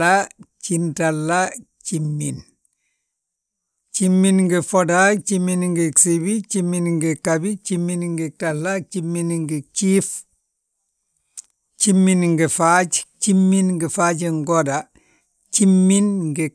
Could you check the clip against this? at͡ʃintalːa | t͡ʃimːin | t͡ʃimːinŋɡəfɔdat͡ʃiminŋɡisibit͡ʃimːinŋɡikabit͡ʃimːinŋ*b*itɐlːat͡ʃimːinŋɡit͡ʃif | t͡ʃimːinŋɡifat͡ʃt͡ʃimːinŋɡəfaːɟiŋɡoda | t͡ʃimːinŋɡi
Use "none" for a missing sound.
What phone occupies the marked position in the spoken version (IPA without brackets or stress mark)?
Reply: ɡ